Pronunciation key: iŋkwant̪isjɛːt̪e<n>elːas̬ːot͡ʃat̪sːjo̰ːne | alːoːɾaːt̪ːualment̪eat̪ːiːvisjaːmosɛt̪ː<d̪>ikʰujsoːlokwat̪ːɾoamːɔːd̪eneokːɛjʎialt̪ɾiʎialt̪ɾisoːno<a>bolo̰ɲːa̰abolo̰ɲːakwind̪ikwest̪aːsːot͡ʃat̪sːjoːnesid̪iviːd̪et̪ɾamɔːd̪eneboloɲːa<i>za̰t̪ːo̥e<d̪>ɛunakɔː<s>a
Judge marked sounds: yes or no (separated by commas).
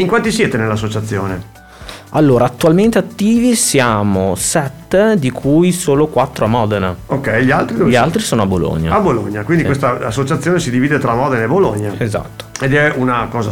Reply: yes, yes, yes, no, yes, no